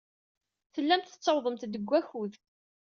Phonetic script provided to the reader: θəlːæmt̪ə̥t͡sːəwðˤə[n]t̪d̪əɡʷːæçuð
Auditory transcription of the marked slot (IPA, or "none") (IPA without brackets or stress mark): m